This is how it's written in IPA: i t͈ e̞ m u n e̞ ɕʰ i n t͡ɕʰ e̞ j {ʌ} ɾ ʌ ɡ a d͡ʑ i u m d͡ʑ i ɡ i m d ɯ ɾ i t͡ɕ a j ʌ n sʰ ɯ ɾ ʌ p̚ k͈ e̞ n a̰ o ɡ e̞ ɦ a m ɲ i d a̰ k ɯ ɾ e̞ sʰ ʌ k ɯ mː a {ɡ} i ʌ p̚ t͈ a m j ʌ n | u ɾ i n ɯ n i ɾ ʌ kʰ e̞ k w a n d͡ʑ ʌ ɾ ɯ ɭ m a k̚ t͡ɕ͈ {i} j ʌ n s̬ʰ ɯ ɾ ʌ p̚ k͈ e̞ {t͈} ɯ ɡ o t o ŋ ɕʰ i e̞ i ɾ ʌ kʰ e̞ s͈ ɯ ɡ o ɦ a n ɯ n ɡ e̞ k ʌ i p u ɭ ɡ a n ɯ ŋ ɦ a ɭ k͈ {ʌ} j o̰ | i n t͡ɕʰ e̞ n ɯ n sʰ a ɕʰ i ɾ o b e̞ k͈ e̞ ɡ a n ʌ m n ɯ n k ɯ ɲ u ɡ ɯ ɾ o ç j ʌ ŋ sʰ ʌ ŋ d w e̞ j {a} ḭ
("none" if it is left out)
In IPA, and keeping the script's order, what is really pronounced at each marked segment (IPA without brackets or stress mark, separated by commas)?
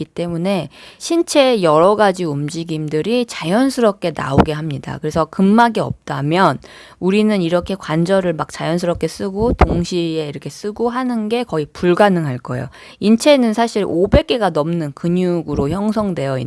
ʌ, ɡ, a, s͈, ʌ, ʌ